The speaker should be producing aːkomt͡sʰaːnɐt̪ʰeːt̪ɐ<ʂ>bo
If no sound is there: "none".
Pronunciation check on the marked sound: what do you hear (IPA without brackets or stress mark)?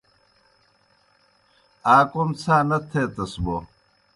s